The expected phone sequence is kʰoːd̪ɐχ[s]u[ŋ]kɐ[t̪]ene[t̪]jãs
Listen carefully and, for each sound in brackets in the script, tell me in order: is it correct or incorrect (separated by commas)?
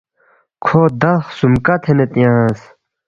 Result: correct, incorrect, incorrect, correct